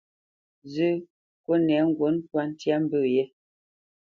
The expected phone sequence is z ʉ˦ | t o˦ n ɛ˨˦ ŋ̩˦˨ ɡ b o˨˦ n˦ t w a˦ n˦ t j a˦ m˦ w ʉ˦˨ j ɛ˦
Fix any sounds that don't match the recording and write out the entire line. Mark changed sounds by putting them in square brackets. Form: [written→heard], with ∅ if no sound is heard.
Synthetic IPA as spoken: z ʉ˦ | [t→k] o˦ n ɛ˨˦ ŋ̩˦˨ ɡ [b→w] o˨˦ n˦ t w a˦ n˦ t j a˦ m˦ [w→b] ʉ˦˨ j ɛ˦